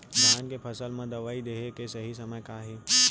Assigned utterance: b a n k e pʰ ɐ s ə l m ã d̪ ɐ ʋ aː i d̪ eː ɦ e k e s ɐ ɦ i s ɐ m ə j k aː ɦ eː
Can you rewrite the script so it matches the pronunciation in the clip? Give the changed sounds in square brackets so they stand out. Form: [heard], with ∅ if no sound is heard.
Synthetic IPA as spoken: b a n k e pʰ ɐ s ə l m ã d̪ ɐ ʋ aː i d̪ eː ɦ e k e s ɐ ɦ i s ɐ m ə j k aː ɦ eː